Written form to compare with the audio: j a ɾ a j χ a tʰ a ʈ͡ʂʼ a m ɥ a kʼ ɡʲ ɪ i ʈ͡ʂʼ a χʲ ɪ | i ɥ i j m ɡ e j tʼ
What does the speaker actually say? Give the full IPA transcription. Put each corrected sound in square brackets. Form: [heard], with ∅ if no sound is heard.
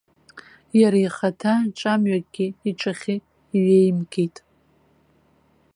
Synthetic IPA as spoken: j a ɾ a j χ a tʰ a ʈ͡ʂʼ a m ɥ a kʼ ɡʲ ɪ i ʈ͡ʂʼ a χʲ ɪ | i ɥ [e] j m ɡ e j tʼ